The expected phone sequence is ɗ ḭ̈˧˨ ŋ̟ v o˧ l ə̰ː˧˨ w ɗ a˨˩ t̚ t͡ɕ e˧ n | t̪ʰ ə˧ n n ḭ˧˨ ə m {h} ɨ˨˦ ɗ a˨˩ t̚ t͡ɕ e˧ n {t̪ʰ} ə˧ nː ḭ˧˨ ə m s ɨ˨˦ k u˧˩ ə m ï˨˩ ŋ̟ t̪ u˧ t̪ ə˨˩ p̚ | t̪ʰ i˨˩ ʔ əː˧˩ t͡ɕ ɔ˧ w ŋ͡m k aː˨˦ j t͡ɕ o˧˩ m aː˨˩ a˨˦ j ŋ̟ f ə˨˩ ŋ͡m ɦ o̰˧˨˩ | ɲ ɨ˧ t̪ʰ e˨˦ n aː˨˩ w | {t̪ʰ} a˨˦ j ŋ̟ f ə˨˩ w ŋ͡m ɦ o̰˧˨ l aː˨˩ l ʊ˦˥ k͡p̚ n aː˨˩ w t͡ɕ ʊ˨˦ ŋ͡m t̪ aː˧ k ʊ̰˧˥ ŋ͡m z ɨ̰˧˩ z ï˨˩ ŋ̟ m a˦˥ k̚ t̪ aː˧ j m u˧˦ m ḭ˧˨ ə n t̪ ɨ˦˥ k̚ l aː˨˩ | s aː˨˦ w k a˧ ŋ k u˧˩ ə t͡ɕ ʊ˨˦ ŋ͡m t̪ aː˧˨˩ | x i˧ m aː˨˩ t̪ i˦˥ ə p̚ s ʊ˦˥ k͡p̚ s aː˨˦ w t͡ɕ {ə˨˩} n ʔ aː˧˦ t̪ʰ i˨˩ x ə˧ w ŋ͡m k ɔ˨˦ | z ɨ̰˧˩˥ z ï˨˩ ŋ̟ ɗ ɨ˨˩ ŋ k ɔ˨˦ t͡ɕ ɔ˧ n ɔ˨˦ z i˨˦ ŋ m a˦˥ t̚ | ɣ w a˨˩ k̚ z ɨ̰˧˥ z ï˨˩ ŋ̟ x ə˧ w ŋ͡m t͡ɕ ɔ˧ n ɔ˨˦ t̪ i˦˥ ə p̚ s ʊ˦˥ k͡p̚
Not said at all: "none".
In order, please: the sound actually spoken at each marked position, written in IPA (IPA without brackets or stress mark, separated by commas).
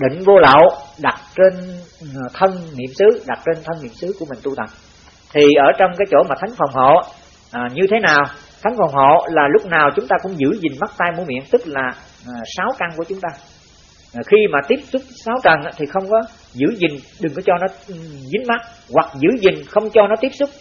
s, t̪ʰ, t̪ʰ, ə˨˩